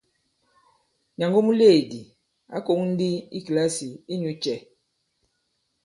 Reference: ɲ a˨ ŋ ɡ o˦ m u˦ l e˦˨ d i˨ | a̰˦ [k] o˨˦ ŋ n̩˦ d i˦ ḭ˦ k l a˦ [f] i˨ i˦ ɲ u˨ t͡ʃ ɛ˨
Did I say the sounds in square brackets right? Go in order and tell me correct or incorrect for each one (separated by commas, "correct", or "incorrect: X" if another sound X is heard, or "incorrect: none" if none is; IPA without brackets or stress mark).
correct, incorrect: s